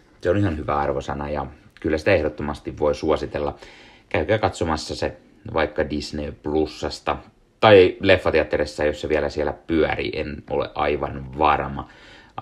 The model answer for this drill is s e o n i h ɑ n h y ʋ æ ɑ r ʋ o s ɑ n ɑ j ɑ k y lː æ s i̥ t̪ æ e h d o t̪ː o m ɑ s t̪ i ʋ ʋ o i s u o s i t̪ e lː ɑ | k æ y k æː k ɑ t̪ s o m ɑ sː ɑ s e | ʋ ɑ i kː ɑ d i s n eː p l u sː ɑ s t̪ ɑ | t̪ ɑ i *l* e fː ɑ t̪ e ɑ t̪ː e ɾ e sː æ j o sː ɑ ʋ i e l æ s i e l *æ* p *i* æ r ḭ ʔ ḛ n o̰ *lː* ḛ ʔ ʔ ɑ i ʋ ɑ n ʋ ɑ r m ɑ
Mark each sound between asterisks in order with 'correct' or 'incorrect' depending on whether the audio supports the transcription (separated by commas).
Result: correct, correct, incorrect, incorrect